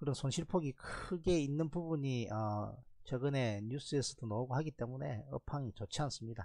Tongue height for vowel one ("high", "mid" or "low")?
high